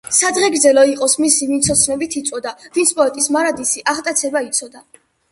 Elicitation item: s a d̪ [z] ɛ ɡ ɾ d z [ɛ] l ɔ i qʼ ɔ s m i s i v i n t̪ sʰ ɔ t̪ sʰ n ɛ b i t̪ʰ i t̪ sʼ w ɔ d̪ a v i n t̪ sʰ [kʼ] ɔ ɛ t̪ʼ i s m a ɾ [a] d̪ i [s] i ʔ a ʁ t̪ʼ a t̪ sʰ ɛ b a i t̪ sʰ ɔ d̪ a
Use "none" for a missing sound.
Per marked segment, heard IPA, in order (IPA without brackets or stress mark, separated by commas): ʁ, ɛ, pʼ, a, s